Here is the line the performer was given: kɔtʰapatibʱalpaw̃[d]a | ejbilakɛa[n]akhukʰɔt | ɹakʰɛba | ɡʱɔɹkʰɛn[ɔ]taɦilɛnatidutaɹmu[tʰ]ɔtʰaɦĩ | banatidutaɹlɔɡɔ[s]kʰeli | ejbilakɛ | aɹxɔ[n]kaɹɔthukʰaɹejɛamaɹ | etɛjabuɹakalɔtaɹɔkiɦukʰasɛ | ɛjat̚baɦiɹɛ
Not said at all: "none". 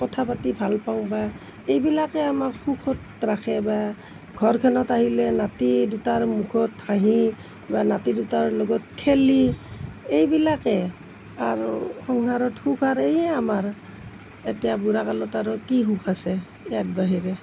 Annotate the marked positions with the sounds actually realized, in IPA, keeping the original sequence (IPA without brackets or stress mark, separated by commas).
b, m, ɔ, kʰ, t, ŋ